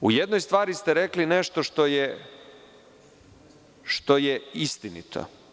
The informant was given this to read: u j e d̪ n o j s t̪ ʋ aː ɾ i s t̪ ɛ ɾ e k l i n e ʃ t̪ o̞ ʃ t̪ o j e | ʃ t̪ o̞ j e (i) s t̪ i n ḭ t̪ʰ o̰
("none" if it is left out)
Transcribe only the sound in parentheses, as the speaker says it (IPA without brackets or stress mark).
i